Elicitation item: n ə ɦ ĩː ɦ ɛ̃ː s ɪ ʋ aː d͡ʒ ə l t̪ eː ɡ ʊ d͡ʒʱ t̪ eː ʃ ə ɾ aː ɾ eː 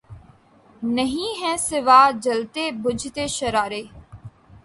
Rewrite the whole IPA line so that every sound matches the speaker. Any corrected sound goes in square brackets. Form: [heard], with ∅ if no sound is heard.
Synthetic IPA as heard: n ə ɦ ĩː ɦ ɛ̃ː s ɪ ʋ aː d͡ʒ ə l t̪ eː [b] ʊ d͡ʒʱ t̪ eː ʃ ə ɾ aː ɾ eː